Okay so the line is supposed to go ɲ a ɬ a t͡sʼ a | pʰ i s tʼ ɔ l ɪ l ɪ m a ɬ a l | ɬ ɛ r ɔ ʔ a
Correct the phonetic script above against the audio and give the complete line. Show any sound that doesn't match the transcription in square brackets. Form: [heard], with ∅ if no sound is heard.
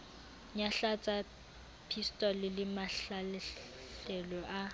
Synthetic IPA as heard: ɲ a ɬ a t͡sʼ a | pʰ i s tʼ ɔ l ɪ l ɪ m a ɬ a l | ɬ ɛ [l] ɔ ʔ a